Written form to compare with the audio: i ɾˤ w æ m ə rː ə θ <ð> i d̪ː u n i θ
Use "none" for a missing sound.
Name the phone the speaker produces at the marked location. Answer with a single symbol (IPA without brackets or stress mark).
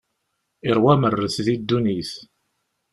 ð